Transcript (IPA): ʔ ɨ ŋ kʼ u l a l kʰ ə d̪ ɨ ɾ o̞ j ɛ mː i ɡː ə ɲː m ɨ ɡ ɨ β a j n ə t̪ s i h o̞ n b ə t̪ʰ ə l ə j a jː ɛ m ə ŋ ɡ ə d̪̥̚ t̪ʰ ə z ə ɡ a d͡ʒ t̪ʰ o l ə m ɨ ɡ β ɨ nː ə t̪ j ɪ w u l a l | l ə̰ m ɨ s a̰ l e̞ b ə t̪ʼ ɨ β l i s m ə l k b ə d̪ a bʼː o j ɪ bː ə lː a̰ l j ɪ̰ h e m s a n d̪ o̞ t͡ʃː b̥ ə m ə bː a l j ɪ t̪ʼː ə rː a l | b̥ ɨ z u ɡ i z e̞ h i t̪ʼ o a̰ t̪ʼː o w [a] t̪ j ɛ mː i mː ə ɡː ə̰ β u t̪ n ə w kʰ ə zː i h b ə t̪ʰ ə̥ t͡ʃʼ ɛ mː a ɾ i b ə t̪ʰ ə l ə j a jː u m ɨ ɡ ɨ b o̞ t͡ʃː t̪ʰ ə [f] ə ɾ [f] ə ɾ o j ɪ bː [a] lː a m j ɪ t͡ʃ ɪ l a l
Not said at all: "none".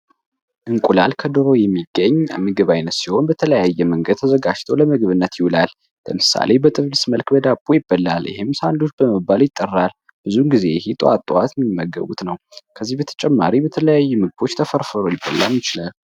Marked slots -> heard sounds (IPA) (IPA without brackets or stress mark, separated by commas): a, f, f, ə